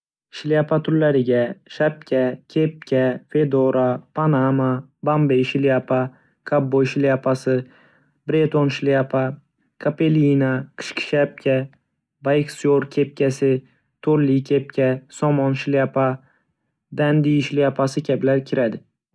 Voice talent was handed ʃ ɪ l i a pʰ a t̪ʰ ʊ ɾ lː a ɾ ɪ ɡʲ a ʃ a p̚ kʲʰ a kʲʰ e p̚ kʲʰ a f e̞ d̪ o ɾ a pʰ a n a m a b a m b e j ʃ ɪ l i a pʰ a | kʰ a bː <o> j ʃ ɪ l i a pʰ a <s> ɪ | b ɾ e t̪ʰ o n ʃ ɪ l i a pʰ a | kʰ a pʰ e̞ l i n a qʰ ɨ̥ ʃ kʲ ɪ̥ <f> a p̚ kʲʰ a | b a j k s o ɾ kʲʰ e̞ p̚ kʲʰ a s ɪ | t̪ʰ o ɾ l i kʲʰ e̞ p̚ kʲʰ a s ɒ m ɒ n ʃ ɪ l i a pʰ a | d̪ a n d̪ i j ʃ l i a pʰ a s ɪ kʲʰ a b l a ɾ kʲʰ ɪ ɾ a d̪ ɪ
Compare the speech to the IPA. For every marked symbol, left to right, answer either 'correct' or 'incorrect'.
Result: correct, correct, incorrect

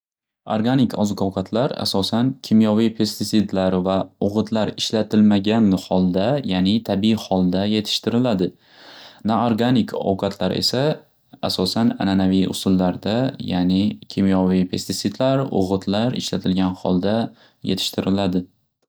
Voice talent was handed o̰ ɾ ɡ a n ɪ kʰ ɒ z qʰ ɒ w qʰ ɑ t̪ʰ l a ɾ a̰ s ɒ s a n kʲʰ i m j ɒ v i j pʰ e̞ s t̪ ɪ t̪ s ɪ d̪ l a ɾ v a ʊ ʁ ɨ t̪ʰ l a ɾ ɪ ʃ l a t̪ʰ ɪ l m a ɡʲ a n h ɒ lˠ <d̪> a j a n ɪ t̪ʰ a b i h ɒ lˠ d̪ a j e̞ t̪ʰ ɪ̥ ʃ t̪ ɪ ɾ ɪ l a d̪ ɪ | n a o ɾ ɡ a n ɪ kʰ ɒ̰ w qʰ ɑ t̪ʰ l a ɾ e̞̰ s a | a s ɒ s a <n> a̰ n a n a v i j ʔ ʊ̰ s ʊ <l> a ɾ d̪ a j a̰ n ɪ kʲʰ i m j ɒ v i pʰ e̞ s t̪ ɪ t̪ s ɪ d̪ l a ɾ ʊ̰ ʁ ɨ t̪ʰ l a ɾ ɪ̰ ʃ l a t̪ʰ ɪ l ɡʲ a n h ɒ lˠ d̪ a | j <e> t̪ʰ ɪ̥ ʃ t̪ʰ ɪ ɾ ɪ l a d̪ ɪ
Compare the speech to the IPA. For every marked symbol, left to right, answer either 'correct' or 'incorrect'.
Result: correct, correct, incorrect, correct

